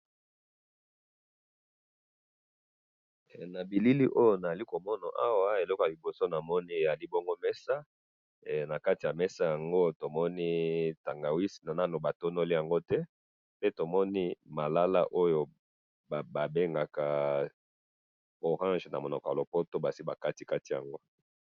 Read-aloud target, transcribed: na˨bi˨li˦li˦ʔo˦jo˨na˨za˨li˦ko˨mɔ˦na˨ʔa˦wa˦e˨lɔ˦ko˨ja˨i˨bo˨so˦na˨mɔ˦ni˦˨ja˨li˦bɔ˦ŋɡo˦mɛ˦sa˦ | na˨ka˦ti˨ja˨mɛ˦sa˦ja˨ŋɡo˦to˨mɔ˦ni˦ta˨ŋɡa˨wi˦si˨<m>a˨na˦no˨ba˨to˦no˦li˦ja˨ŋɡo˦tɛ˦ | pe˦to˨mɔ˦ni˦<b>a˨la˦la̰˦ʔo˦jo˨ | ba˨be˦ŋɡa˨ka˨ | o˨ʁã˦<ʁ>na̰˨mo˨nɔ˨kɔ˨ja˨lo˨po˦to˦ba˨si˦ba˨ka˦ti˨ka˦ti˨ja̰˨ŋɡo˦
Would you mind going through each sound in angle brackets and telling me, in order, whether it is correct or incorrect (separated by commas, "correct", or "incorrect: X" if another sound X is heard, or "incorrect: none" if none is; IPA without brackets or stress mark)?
incorrect: n, incorrect: m, incorrect: ʒ